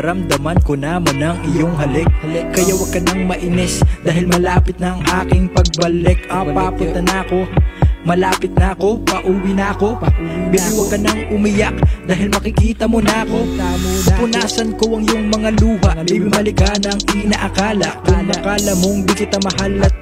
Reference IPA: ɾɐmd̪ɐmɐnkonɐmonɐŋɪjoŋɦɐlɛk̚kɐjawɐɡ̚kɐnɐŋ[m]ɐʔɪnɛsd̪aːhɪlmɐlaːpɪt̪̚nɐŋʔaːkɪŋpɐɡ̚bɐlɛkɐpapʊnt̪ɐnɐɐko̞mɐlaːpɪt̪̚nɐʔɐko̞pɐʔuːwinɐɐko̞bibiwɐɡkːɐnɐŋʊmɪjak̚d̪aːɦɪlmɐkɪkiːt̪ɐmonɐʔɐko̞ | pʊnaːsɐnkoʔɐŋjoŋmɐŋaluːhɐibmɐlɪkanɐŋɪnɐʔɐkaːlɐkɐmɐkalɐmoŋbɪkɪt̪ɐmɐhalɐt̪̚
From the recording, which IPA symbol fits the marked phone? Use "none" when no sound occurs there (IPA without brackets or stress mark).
m